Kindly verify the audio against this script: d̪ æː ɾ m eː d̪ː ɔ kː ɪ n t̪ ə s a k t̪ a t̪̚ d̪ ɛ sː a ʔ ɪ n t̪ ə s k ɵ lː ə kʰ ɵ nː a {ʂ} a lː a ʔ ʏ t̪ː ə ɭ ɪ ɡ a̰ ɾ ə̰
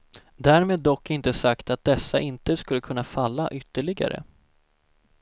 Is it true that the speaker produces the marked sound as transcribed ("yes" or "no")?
no